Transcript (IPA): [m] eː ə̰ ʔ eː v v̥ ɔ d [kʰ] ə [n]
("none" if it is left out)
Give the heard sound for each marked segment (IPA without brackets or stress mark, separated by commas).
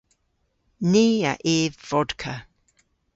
n, kʰ, none